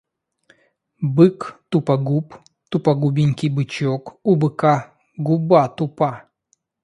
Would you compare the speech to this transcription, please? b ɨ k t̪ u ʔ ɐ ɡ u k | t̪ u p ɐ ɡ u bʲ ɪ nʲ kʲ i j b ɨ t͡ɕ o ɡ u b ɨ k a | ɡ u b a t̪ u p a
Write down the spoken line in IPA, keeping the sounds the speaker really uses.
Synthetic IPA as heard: b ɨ k t̪ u p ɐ ɡ u p | t̪ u p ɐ ɡ u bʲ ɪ nʲ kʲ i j b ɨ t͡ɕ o k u b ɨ k a | ɡ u b a t̪ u p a